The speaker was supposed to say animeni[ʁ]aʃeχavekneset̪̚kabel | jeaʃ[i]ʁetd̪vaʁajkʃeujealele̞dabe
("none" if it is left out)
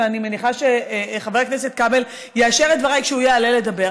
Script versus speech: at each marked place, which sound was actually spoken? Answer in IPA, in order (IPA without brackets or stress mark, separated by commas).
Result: χ, e